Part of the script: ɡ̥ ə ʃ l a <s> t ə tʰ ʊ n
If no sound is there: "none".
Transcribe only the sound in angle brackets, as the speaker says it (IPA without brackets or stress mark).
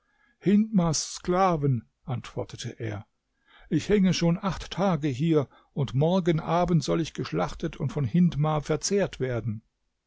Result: χ